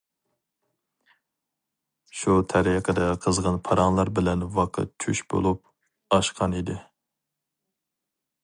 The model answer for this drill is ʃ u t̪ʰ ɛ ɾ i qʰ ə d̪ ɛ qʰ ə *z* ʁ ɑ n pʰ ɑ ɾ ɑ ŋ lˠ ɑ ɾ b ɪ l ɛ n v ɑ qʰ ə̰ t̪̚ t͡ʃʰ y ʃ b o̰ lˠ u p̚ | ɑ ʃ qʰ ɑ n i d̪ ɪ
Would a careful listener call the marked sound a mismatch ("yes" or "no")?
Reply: no